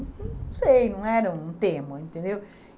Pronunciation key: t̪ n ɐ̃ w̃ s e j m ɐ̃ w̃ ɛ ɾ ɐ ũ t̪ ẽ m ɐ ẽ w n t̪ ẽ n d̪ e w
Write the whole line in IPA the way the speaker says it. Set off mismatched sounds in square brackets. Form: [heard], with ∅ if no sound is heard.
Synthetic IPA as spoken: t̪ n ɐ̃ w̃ s e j [n] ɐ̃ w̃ ɛ ɾ ɐ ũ t̪ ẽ m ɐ ẽ [∅] n t̪ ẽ n d̪ e w